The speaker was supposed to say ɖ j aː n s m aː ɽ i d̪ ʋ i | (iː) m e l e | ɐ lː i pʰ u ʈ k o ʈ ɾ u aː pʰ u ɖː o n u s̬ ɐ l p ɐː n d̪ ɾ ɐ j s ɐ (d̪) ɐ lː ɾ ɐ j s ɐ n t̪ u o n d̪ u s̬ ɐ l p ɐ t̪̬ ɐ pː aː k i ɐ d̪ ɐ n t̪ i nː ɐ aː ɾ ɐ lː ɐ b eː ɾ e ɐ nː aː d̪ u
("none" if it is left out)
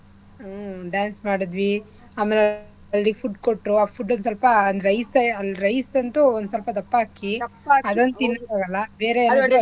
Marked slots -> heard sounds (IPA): aː, none

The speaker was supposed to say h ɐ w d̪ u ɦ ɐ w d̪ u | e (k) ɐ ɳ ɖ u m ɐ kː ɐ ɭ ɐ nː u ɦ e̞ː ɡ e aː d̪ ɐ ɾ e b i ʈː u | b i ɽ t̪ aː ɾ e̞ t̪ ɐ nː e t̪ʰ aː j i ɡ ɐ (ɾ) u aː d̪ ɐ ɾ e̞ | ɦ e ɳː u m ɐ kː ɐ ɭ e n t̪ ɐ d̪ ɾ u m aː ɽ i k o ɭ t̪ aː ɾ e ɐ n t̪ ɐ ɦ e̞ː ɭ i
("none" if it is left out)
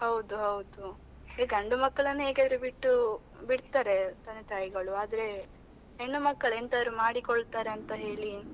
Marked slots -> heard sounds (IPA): ɡ, ɭ

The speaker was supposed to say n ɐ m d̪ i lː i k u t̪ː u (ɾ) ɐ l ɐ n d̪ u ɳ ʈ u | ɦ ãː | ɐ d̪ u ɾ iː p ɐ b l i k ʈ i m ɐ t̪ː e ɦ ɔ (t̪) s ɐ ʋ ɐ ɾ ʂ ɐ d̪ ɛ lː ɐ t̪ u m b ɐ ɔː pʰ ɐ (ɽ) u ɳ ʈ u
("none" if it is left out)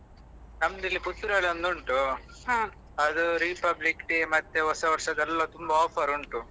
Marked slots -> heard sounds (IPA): ɾ, none, ɾ

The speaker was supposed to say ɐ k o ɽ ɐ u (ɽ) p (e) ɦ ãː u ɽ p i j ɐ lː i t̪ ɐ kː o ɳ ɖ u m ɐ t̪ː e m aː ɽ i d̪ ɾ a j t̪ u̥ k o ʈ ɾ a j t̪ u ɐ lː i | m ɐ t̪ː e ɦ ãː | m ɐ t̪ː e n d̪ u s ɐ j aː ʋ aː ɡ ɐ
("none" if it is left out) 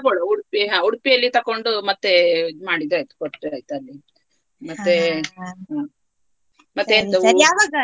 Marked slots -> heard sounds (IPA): ɽ, i

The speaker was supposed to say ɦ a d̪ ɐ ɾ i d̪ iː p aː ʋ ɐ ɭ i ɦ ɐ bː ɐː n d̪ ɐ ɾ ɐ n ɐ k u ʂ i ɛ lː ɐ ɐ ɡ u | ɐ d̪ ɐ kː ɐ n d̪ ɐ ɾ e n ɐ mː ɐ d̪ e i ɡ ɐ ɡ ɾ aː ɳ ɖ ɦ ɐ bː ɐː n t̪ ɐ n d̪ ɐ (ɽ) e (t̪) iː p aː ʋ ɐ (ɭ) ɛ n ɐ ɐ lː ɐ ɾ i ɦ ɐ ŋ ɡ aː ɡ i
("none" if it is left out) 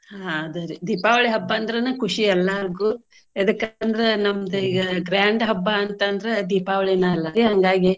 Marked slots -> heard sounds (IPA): ɾ, d̪, ɭ

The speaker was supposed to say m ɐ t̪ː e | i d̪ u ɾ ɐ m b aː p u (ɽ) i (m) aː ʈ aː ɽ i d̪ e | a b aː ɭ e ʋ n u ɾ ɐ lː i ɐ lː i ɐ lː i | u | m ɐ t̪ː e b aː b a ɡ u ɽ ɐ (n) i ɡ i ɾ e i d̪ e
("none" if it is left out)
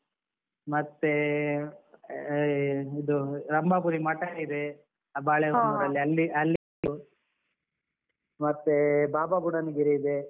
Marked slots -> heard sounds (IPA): ɾ, m, n

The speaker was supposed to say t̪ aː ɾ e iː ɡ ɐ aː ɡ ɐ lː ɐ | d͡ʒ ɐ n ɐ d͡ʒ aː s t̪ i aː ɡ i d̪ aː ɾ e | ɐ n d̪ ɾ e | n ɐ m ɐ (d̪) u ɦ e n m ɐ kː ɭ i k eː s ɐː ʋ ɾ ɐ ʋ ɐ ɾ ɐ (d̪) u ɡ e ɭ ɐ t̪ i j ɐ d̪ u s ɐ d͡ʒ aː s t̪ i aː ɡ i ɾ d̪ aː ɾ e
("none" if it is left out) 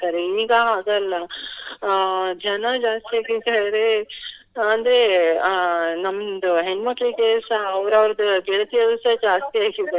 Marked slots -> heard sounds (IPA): d̪, d̪

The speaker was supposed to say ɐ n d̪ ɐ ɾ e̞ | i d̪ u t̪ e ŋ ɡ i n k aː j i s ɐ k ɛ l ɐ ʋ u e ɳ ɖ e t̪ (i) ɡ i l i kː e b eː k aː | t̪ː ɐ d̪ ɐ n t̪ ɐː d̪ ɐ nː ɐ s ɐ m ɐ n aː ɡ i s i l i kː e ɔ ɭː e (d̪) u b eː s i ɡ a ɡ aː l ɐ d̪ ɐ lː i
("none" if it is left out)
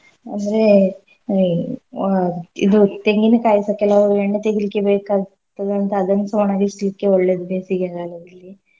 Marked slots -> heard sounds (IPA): e, d̪

